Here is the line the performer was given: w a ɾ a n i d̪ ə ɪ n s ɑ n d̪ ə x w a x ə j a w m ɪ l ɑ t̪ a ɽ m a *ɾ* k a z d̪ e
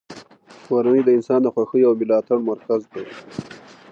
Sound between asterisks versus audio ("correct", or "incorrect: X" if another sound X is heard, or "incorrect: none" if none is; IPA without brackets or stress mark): correct